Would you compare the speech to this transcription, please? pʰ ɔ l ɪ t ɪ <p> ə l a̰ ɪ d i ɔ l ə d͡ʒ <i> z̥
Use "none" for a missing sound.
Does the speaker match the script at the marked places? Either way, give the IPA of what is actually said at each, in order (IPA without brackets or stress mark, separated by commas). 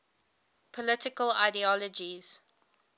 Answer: k, i